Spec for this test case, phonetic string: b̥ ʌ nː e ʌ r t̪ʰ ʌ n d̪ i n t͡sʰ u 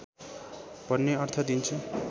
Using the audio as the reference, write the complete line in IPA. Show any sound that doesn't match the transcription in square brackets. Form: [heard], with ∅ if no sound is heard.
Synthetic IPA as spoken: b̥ ʌ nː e ʌ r t̪ʰ ʌ [∅] d̪ i n t͡sʰ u

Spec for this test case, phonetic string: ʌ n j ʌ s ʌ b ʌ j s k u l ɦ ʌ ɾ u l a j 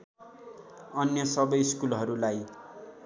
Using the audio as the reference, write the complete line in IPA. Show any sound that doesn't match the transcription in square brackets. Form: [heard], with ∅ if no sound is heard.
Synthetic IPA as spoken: ʌ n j ʌ s ʌ b ʌ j s k u l ɦ ʌ ɾ u l a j

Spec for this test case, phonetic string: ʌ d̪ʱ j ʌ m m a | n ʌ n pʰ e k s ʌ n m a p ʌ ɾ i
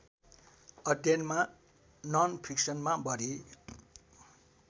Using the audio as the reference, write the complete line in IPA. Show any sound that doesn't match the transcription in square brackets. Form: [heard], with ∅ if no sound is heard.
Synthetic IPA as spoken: ʌ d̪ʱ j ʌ [n] m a | n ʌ n pʰ [i] k s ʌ n m a [b] ʌ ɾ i

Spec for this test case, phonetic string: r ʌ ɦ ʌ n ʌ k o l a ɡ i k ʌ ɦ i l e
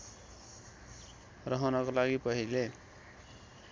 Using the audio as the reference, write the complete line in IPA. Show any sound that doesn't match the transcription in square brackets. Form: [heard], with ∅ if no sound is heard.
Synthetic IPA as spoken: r ʌ ɦ ʌ n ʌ k o l a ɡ i [p] ʌ ɦ i l e

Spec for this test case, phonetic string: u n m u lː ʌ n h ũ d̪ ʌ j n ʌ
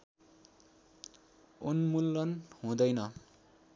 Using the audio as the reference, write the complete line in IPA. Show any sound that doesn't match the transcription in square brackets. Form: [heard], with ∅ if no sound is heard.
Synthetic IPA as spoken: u n m u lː ʌ n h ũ d̪ ʌ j n ʌ

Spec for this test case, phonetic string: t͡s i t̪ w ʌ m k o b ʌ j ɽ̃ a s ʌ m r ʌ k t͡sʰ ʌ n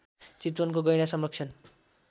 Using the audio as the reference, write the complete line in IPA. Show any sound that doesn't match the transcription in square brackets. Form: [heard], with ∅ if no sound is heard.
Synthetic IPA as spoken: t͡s i t̪ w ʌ [n] k o [ɡ] ʌ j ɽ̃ a s ʌ m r ʌ k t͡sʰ ʌ n

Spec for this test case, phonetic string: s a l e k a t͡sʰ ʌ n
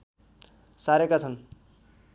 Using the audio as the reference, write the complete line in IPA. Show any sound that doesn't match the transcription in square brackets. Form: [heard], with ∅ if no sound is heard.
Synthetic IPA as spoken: s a [ɾ] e k a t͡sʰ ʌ n

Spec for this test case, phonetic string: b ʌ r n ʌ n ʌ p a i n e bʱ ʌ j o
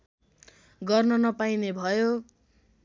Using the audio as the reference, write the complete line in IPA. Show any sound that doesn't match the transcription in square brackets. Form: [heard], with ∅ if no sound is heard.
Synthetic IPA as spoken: [ɡ] ʌ r n ʌ n ʌ p a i n e bʱ ʌ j o

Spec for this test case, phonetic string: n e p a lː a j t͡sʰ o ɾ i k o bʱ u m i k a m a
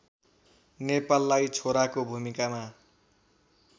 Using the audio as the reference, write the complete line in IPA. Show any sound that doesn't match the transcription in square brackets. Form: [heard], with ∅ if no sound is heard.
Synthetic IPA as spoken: n e p a lː a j t͡sʰ o ɾ [a] k o bʱ u m i k a m a

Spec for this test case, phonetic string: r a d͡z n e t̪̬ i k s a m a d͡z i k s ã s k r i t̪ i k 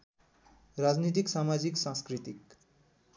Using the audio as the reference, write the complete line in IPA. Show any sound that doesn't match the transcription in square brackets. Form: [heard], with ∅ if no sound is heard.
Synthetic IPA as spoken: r a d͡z n [i] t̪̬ i k s a m a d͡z i k s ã s k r i t̪ i k

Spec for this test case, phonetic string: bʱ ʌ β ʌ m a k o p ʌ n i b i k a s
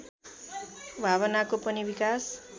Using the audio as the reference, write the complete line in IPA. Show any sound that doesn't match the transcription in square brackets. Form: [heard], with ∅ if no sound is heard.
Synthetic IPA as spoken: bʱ [a] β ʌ [n] a k o p ʌ n i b i k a s

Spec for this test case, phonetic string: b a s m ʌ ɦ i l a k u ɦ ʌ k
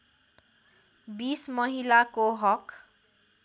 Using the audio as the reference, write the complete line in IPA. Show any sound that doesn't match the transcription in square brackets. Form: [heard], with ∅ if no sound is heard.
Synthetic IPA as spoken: b [i] s m ʌ ɦ i l a k [o] ɦ ʌ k

